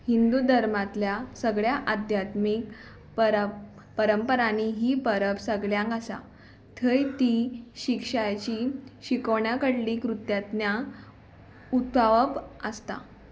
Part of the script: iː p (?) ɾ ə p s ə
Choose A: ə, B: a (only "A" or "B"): A